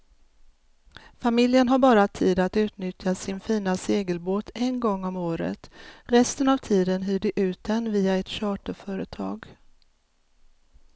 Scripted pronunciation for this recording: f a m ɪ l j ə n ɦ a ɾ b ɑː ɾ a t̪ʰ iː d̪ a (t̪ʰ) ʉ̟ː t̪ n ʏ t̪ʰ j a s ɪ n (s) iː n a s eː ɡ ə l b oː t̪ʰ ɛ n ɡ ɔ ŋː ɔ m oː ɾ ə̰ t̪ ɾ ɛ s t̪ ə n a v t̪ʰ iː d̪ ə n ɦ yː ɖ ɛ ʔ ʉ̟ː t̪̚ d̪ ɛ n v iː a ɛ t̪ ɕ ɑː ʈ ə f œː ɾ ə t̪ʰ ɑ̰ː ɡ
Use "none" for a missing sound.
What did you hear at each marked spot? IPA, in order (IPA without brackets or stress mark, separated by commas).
t̪, f